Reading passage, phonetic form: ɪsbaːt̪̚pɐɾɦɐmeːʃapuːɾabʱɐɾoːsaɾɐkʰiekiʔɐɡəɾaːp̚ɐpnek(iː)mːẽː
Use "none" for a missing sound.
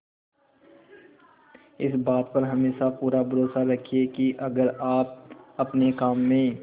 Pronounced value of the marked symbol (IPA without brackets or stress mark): aː